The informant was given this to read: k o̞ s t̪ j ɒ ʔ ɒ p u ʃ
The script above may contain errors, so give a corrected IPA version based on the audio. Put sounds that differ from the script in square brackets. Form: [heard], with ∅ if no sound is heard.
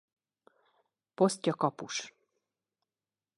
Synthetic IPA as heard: [p] o̞ s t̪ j ɒ [k] ɒ p u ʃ